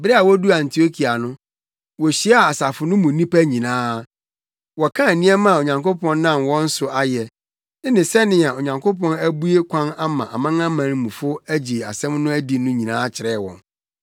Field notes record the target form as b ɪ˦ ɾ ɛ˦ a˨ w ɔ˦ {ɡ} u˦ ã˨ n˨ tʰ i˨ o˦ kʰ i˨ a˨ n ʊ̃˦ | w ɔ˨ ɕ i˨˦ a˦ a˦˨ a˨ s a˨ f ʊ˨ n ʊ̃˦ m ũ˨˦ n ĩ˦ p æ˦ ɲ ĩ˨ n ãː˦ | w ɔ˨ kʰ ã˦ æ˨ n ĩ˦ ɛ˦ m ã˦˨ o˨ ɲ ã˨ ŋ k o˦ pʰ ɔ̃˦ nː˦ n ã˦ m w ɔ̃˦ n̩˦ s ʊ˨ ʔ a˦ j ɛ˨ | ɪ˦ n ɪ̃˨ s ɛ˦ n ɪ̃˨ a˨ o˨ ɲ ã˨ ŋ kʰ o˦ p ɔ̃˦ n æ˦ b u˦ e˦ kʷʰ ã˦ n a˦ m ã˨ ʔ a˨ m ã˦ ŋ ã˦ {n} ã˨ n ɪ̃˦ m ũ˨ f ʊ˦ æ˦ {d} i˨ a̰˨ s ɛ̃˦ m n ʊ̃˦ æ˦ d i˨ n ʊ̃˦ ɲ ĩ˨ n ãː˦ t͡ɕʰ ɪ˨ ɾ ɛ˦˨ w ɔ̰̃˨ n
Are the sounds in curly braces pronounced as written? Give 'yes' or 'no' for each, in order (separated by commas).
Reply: no, no, no